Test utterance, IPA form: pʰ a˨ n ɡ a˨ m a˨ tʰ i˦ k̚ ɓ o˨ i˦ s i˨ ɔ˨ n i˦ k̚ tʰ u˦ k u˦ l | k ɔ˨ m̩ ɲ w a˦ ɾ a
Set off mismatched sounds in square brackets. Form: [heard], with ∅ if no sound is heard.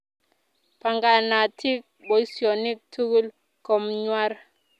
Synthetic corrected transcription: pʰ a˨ [ŋ] ɡ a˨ [n] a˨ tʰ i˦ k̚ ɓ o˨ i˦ s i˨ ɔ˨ n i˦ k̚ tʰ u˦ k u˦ l | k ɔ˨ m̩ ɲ w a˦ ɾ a